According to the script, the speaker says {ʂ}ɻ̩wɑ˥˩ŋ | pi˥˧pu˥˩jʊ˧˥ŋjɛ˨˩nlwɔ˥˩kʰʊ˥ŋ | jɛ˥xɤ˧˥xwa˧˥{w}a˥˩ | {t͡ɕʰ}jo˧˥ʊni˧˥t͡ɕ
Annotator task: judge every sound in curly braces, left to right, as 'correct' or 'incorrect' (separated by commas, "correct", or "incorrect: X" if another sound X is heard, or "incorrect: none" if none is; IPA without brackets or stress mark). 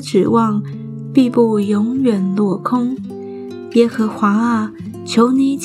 incorrect: ʈ͡ʂ, incorrect: none, correct